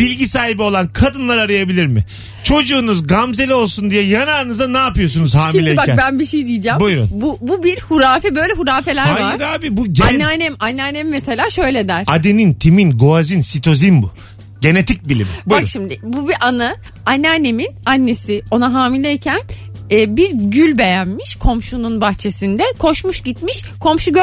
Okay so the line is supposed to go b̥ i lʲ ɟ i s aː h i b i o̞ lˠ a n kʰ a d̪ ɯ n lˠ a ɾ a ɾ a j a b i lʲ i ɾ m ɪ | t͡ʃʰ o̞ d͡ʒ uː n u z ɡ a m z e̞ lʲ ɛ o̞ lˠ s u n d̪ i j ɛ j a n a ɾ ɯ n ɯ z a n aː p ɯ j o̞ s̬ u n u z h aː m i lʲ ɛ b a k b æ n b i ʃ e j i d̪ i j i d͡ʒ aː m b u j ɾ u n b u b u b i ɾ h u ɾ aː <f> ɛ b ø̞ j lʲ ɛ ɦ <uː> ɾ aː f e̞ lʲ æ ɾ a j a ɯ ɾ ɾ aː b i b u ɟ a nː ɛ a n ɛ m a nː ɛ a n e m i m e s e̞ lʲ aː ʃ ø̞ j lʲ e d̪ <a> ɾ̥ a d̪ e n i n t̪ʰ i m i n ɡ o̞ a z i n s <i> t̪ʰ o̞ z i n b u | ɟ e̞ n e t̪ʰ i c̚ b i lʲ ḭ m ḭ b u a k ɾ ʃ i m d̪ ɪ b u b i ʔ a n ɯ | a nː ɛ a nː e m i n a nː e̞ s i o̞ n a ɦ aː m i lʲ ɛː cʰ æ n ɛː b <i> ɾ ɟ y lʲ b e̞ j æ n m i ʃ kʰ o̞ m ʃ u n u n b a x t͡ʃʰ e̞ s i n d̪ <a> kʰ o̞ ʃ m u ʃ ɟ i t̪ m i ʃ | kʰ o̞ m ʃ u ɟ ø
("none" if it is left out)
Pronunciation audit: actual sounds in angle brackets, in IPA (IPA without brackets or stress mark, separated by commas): f, u, æ, i, i, ɛ